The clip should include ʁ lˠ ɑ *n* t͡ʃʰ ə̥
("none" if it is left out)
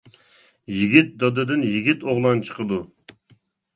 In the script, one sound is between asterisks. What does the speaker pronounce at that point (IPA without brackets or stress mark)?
n